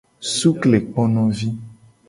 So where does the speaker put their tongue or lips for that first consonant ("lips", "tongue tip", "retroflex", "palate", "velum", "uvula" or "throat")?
tongue tip